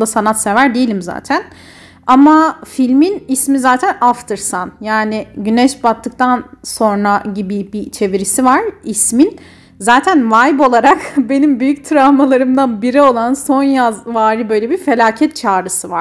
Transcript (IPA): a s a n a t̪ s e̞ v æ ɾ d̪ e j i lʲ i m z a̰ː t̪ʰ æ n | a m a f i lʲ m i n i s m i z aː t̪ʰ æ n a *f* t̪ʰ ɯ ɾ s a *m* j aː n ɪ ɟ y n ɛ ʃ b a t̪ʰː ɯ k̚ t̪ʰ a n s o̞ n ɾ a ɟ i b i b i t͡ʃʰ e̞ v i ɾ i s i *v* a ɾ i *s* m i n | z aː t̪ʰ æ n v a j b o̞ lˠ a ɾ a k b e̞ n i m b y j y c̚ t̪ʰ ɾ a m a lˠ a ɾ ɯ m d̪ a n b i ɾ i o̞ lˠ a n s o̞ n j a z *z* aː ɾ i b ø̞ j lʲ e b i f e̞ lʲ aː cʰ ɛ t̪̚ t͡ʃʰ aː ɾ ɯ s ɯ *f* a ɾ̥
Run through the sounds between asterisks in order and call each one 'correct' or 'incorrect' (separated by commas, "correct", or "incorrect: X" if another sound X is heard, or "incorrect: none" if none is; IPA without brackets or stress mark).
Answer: correct, incorrect: n, correct, correct, incorrect: v, incorrect: v